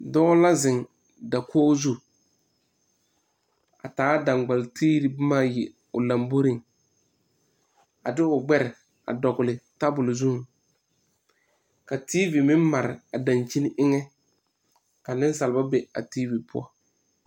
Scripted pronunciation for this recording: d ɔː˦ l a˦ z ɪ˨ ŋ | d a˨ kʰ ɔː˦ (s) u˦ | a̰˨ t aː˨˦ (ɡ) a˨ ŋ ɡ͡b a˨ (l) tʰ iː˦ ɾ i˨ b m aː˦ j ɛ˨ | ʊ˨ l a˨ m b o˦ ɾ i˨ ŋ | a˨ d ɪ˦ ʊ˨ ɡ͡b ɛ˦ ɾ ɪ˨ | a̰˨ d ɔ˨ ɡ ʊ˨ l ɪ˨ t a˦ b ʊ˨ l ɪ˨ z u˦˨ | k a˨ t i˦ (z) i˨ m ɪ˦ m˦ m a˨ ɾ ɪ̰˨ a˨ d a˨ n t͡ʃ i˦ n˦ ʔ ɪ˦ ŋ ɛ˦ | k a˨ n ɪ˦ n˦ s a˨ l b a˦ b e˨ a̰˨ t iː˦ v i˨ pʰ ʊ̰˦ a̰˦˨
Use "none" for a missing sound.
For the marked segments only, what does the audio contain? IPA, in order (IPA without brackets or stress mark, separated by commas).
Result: z, d, l, v